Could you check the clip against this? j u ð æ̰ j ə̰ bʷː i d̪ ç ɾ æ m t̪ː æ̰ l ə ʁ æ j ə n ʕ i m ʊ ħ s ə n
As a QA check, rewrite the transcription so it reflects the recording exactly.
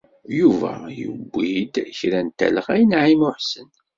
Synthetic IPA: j u v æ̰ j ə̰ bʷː i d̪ ç ɾ æ n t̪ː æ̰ l ə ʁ æ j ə n ʕ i m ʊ ħ s ə n

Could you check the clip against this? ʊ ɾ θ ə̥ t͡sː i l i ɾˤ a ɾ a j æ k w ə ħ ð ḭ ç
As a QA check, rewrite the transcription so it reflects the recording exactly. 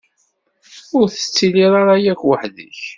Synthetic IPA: ʊ ɾ θ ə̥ t͡sː i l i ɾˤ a ɾ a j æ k w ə ħ ð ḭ ç

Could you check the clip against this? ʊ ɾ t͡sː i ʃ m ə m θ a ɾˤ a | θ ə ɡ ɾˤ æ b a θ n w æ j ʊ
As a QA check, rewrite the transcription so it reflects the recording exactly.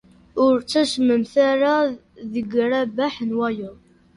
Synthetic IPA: ʊ ɾ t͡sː æ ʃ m ə m θ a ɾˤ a | ð ə ɡ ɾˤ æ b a ħ n w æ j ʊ

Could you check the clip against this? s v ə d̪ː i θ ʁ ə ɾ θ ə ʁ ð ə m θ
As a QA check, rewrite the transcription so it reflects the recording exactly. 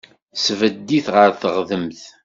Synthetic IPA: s v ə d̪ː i θ ʁ ə ɾ θ ə ʁ ð ə m θ

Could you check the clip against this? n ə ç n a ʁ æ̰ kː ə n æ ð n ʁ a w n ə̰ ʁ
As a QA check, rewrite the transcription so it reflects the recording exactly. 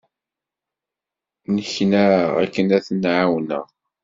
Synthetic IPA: n ə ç n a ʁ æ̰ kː ə n æ θ n ʕ a w n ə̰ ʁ

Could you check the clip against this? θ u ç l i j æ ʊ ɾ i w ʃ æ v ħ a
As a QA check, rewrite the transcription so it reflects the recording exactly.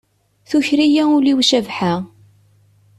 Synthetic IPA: θ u ç ɾ i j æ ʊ l i w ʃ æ v ħ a

